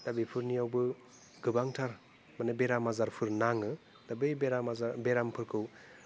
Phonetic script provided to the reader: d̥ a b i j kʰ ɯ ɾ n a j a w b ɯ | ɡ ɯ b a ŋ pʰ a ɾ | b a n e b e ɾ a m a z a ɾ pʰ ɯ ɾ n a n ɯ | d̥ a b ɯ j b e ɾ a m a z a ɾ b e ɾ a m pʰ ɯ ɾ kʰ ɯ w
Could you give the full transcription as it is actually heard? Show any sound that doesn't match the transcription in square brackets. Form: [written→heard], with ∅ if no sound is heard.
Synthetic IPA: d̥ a b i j [kʰ→pʰ] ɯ ɾ n [a→i] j a w b ɯ | ɡ ɯ b a ŋ [pʰ→tʰ] a ɾ | [b→m] a n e b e ɾ a m a z a ɾ pʰ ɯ ɾ n a [n→ŋ] ɯ | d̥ a b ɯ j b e ɾ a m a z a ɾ b e ɾ a m pʰ ɯ ɾ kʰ ɯ w